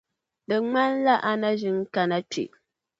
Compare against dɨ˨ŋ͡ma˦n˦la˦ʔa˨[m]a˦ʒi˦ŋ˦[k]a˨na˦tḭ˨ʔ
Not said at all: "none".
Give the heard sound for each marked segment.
n, k

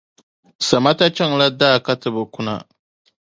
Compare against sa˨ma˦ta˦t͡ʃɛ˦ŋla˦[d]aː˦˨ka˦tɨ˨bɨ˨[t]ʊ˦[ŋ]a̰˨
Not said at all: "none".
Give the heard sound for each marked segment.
d, k, n

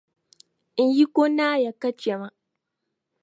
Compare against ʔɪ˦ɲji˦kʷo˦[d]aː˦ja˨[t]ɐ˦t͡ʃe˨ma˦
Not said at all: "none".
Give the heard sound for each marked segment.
n, k

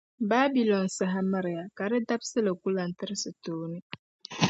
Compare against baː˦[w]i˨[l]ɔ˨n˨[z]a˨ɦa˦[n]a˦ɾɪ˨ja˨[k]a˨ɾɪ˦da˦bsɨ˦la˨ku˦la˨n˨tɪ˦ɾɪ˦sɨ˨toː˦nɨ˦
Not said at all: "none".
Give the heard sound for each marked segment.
b, l, s, m, k

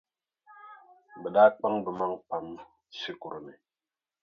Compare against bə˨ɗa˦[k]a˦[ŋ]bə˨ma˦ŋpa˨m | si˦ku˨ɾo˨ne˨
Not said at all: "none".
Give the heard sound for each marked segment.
k͡p, ŋ

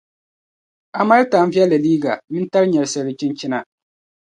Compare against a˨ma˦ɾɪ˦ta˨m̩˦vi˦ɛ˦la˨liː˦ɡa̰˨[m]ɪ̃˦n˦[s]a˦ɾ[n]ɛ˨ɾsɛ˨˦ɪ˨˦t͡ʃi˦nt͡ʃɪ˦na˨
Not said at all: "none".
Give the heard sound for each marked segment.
m, t, ɲ

